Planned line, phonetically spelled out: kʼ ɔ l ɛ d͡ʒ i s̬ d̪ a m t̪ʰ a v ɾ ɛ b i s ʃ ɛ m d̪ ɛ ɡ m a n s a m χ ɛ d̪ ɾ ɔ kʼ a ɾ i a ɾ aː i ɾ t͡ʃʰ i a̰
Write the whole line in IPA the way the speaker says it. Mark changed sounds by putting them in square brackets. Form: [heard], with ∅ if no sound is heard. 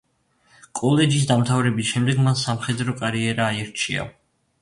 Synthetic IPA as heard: kʼ ɔ l ɛ d͡ʒ i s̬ d̪ a m t̪ʰ a v ɾ ɛ b i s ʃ ɛ m d̪ ɛ ɡ m a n s a m χ ɛ d̪ ɾ ɔ kʼ a ɾ i [ɛ] ɾ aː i ɾ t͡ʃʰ i a̰